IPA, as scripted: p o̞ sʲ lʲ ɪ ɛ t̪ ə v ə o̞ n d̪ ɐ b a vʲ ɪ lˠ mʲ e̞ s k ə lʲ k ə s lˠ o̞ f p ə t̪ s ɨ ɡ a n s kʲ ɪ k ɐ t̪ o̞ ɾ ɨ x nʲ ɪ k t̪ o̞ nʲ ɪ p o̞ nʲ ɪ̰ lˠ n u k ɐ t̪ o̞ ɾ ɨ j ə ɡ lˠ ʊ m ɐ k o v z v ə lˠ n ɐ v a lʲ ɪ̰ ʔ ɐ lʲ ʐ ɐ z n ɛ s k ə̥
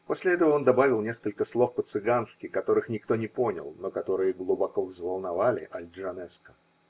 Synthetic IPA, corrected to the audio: p o̞ sʲ lʲ ɪ ɛ t̪ ə v ə o̞ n d̪ ɐ b a vʲ ɪ lˠ nʲ e̞ s k ə lʲ k ə s lˠ o̞ f p ə t̪ s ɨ ɡ a n s kʲ ɪ k ɐ t̪ o̞ ɾ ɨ x nʲ ɪ k t̪ o̞ nʲ ɪ p o̞ nʲ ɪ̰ lˠ n o k ɐ t̪ o̞ ɾ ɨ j ə ɡ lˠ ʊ b ɐ k o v z v ə lˠ n ɐ v a lʲ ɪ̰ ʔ ɐ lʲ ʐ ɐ n ɛ s k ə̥